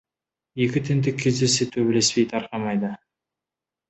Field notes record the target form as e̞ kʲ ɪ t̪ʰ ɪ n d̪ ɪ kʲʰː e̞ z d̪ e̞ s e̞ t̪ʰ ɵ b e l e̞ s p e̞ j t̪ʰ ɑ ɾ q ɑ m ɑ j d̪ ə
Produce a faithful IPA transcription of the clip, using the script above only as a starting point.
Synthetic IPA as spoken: e̞ kʲ ɪ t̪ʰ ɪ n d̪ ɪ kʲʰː e̞ z d̪ e̞ s e̞ t̪ʰ ɵ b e l e̞ s p e̞ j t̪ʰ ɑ ɾ q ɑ m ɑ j d̪ ə